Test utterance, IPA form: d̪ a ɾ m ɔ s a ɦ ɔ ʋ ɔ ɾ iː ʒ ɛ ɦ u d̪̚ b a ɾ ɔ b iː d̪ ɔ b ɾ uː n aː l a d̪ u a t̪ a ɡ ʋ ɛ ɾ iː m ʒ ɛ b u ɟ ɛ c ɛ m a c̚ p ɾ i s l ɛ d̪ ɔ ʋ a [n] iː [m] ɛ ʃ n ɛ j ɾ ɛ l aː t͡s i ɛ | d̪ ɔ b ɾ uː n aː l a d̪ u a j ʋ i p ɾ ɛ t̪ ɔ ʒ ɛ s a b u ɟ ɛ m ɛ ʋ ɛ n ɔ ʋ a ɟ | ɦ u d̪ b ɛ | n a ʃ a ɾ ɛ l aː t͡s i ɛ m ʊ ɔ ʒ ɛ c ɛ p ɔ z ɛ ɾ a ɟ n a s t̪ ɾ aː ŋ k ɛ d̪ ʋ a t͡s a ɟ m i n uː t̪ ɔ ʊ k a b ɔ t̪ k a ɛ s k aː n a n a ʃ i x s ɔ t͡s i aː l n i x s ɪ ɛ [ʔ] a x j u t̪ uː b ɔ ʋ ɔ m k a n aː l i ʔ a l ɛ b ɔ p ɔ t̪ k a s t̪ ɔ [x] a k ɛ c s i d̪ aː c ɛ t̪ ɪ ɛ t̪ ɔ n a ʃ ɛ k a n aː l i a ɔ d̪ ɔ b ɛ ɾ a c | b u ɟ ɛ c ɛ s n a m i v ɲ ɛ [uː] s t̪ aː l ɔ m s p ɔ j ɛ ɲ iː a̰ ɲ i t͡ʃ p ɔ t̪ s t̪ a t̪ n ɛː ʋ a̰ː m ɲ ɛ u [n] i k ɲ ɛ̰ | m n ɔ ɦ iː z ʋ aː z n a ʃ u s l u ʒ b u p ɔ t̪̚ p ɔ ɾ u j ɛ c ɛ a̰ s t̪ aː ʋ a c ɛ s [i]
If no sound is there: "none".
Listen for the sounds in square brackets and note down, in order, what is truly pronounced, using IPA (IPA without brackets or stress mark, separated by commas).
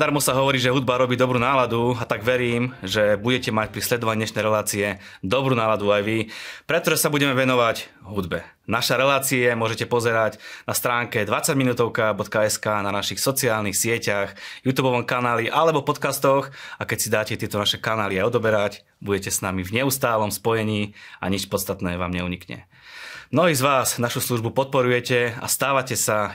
ɲ, ɲ, c, x, u, ɲ, a